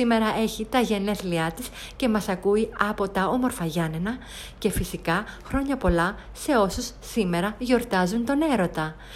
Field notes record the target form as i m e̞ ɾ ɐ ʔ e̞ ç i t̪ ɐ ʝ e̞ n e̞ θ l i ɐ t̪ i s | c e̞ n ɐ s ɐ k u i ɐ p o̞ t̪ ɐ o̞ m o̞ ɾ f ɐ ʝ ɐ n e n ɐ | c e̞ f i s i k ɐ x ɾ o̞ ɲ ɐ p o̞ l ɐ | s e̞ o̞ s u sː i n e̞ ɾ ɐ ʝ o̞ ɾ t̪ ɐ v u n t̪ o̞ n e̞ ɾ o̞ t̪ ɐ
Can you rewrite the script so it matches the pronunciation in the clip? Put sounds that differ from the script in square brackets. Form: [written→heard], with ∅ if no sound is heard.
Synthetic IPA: i m e̞ ɾ ɐ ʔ e̞ ç i t̪ ɐ ʝ e̞ n e̞ θ l i ɐ t̪ i s | c e̞ [n→m] ɐ s ɐ k u i ɐ p o̞ t̪ ɐ o̞ m o̞ ɾ f ɐ ʝ ɐ n e n ɐ | c e̞ f i s i k ɐ x ɾ o̞ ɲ ɐ p o̞ l ɐ | s e̞ o̞ s u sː i [n→m] e̞ ɾ ɐ ʝ o̞ ɾ t̪ ɐ [v→z] u n t̪ o̞ n e̞ ɾ o̞ t̪ ɐ